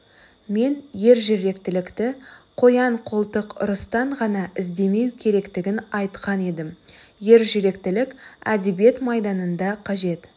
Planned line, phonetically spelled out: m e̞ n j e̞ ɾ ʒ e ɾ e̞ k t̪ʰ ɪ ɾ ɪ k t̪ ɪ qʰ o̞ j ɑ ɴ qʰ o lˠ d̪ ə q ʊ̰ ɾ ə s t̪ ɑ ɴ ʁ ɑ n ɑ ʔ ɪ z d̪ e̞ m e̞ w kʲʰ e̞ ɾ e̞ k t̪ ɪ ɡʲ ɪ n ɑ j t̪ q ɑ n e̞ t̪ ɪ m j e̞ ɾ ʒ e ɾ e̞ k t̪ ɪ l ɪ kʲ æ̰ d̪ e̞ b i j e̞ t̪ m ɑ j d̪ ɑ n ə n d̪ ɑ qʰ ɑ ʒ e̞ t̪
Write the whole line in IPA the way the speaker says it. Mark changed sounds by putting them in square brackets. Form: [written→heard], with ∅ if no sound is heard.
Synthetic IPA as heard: m e̞ n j e̞ ɾ ʒ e ɾ e̞ k [t̪ʰ→t̪] ɪ [ɾ→l] ɪ k t̪ ɪ qʰ o̞ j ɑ ɴ qʰ o lˠ [d̪→t̪] ə q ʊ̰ ɾ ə s t̪ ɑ ɴ ʁ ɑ n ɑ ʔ ɪ z d̪ e̞ m e̞ w kʲʰ e̞ ɾ e̞ k t̪ ɪ ɡʲ ɪ n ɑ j t̪ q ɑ n e̞ [t̪→d̪] ɪ m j e̞ ɾ ʒ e ɾ e̞ k t̪ ɪ l ɪ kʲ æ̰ d̪ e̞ b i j e̞ t̪ m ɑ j d̪ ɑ n ə n d̪ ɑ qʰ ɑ ʒ e̞ t̪